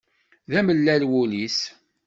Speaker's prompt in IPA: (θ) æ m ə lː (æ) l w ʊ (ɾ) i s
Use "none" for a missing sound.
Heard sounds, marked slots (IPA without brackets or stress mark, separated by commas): ð, æ, l